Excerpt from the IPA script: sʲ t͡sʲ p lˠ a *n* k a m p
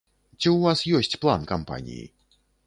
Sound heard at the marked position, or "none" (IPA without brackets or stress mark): n